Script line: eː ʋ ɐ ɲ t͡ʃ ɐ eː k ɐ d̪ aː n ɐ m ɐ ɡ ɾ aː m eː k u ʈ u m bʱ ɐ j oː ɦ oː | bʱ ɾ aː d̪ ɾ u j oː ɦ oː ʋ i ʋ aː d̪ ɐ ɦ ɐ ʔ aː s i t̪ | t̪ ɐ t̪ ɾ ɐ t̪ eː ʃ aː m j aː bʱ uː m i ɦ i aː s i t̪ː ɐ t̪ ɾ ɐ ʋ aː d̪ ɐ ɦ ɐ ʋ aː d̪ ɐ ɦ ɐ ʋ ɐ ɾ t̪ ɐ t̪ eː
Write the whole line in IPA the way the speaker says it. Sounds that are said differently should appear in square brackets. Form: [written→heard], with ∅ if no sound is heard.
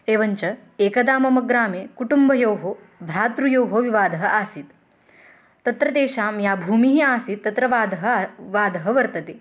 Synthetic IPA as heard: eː ʋ ɐ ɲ t͡ʃ ɐ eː k ɐ d̪ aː [n→m] ɐ m ɐ ɡ ɾ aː m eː k u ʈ u m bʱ ɐ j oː ɦ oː | bʱ ɾ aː [d̪→t̪] ɾ u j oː ɦ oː ʋ i ʋ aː d̪ ɐ ɦ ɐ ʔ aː s i t̪ | t̪ ɐ t̪ ɾ ɐ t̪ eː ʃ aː m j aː bʱ uː m i ɦ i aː s i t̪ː ɐ t̪ ɾ ɐ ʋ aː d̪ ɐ ɦ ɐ ʋ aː d̪ ɐ ɦ ɐ ʋ ɐ ɾ t̪ ɐ t̪ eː